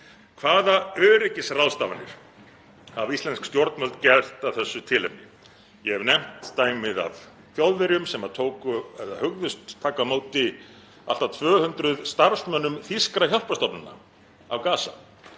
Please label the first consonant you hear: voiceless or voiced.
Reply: voiceless